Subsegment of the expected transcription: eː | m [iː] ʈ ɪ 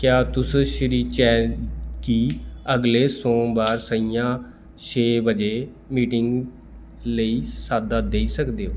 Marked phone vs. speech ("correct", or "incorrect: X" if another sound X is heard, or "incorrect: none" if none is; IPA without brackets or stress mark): correct